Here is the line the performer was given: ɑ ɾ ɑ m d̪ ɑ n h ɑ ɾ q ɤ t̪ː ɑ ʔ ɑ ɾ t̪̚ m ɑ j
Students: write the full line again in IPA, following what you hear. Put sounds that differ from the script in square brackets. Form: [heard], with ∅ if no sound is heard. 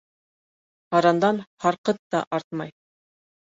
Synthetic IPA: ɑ ɾ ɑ [n] d̪ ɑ n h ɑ ɾ q ɤ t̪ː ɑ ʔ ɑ ɾ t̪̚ m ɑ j